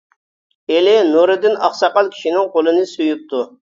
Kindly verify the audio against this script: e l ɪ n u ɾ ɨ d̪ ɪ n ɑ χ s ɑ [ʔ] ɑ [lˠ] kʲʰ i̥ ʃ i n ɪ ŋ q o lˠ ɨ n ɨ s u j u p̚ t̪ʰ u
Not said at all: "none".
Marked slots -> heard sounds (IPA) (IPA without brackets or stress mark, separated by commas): q, lˠ